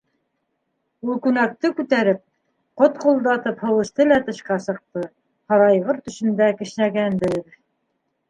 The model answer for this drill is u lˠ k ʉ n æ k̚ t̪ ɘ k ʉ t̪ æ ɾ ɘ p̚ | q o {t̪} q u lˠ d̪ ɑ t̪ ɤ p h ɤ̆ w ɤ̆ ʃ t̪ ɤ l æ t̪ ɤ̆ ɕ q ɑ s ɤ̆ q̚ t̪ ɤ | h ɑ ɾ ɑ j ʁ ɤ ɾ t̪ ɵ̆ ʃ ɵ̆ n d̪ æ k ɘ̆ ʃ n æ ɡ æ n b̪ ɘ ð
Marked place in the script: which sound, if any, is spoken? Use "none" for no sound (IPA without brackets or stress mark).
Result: t̪